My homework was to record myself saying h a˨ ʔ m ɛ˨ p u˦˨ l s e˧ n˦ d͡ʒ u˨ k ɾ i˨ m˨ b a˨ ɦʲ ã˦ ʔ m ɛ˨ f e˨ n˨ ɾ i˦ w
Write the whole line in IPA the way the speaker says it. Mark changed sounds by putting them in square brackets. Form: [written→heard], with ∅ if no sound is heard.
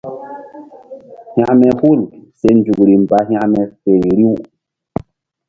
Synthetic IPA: h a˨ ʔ m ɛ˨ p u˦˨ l s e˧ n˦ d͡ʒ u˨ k ɾ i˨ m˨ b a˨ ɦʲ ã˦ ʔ m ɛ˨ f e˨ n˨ ɾ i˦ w